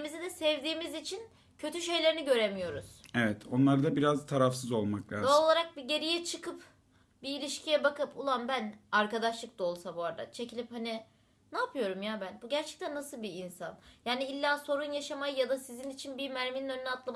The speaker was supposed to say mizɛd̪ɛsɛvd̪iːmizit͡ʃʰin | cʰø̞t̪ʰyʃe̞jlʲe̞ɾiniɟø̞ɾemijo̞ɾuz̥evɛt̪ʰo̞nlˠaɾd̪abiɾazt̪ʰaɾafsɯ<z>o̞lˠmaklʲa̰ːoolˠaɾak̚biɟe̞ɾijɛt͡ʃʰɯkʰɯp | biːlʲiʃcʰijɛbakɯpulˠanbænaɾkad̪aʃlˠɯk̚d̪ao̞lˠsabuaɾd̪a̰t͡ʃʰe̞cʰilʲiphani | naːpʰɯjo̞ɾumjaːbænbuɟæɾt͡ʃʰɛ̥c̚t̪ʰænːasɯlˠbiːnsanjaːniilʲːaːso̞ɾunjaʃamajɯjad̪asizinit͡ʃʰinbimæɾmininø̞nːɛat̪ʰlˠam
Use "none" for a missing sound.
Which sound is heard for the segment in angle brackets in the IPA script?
z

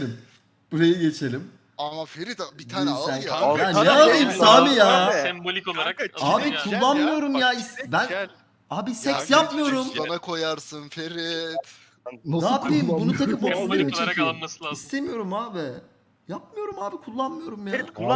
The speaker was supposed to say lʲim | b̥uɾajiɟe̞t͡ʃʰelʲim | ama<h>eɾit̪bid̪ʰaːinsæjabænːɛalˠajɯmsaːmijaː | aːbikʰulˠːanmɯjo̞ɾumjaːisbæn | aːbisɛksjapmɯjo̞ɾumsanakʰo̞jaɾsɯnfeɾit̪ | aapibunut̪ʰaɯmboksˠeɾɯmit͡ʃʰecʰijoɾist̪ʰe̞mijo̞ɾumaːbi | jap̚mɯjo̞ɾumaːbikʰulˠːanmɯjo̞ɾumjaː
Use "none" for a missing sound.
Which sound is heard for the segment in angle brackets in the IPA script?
f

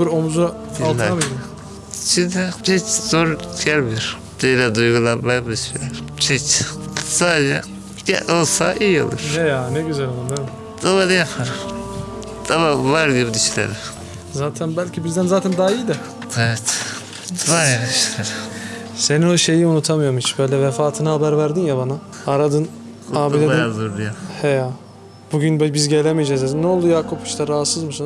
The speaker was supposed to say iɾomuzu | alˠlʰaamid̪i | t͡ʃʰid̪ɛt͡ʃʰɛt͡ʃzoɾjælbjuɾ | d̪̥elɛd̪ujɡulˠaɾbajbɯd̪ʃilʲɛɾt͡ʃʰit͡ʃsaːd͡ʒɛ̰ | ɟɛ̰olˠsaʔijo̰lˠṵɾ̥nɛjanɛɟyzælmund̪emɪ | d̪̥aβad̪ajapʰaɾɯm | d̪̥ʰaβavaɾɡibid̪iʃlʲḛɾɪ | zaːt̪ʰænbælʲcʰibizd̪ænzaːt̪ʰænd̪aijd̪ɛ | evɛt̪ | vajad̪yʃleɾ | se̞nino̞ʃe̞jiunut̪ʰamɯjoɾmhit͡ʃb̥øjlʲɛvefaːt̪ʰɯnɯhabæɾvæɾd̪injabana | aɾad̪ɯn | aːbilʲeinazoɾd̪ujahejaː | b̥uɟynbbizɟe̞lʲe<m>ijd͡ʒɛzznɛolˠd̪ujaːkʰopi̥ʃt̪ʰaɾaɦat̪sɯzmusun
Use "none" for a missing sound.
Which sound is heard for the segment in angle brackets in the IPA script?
m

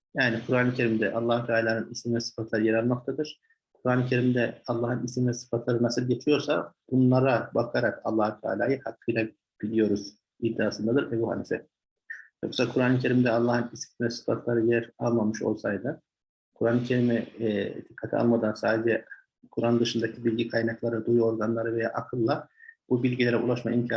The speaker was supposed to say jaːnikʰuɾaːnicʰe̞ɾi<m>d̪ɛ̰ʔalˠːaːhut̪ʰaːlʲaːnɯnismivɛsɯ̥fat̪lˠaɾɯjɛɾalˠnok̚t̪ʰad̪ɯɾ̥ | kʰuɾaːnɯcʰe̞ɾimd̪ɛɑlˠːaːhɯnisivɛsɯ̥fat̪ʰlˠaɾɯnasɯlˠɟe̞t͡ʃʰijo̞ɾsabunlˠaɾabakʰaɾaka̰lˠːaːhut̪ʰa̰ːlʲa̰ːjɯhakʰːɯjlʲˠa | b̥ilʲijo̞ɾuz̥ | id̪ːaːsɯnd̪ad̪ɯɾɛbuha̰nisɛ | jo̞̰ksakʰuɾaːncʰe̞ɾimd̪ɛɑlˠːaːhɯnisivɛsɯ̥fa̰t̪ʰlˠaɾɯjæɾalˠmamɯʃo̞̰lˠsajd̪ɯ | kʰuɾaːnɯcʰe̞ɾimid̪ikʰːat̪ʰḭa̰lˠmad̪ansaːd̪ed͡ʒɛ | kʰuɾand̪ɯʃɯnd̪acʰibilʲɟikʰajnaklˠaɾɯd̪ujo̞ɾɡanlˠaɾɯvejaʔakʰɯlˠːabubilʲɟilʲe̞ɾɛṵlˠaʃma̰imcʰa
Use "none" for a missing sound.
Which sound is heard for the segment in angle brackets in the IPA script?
m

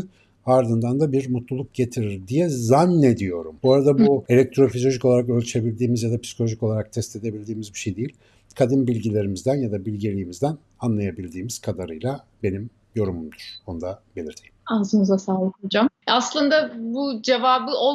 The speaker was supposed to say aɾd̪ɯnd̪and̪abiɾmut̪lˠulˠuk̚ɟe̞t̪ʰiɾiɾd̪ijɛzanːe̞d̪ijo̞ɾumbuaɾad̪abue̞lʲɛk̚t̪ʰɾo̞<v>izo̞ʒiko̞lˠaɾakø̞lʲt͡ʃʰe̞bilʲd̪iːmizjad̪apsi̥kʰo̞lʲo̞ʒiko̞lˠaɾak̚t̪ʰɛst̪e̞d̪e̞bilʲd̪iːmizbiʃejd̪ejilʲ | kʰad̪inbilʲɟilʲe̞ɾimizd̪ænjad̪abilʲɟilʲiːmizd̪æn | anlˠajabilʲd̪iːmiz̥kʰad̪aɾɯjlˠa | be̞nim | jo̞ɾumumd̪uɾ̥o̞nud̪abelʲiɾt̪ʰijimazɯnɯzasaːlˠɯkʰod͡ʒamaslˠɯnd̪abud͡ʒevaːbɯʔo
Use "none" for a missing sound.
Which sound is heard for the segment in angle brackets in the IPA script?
f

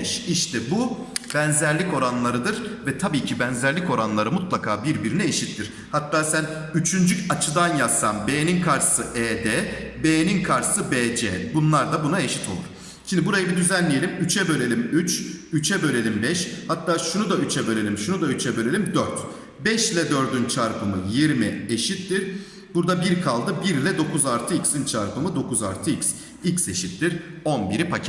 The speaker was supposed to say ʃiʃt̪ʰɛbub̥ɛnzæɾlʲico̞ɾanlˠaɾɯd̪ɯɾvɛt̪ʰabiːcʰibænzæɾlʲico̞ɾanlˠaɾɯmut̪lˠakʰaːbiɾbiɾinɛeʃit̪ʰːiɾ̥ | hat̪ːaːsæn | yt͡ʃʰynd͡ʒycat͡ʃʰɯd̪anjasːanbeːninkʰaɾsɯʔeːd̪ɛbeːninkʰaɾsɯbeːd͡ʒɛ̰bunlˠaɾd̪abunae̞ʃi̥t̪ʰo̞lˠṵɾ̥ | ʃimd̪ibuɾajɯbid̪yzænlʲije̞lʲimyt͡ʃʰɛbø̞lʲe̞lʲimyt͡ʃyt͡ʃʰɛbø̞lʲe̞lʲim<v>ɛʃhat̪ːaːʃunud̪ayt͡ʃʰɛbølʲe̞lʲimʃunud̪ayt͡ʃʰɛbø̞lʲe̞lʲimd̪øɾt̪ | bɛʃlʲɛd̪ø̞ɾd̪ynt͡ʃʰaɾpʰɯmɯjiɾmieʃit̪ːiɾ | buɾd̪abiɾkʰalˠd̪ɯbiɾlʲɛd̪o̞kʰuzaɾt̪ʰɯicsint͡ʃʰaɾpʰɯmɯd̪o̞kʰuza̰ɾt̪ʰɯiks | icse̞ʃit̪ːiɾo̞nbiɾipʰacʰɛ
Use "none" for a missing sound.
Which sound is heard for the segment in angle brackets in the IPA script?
b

